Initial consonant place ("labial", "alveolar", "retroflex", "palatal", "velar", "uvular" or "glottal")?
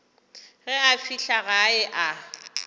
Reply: velar